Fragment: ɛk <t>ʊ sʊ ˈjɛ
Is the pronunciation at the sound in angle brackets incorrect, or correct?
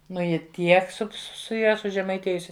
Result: incorrect: s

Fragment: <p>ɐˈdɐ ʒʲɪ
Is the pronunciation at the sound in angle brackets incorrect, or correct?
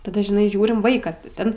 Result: incorrect: t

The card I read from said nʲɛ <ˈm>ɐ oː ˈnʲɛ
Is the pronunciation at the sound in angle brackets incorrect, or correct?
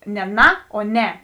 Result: incorrect: n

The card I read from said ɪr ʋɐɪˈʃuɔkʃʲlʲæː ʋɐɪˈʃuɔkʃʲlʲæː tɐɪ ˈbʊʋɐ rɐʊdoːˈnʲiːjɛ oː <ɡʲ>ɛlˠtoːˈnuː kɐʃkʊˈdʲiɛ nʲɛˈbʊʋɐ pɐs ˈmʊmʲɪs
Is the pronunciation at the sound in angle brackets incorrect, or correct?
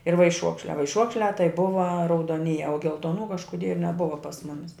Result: correct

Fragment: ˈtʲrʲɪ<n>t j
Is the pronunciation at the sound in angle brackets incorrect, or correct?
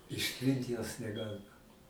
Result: correct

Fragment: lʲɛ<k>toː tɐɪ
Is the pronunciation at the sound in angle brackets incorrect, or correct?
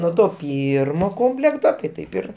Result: correct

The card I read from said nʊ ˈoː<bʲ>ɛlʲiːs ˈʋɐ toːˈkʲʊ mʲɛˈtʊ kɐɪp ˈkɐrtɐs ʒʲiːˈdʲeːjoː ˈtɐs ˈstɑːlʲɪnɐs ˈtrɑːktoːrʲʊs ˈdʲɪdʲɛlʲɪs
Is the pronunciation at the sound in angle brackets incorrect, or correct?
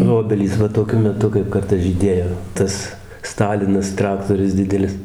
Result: correct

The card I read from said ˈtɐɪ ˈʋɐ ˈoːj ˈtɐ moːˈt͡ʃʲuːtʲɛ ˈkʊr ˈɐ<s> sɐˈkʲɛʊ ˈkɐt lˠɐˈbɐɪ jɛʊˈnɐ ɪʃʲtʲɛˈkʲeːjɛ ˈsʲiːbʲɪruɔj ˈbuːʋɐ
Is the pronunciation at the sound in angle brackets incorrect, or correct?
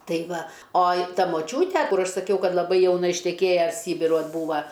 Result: incorrect: ʃ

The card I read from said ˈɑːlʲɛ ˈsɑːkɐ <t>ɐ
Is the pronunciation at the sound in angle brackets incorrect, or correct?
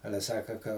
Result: incorrect: k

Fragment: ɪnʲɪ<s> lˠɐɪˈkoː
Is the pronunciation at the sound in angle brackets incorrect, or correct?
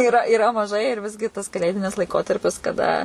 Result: correct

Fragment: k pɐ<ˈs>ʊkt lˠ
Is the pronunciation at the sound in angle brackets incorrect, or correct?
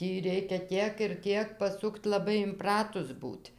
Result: correct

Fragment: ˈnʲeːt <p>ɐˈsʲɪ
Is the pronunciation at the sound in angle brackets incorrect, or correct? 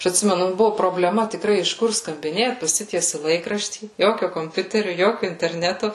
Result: correct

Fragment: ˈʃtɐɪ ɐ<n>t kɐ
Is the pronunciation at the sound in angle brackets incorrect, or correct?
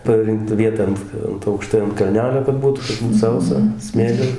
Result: correct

